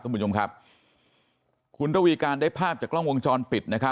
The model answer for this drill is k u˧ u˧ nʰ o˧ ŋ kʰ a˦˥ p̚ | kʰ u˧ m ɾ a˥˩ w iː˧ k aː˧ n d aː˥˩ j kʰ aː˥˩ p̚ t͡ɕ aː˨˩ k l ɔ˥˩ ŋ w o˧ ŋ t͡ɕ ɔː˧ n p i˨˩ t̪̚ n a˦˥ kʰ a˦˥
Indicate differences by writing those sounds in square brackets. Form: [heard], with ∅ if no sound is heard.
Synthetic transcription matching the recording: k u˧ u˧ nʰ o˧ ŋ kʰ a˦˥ p̚ | kʰ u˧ [n] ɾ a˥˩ w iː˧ k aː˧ n d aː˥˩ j [pʰ] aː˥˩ p̚ t͡ɕ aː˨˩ k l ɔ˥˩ ŋ w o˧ ŋ t͡ɕ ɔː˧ n p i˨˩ t̪̚ n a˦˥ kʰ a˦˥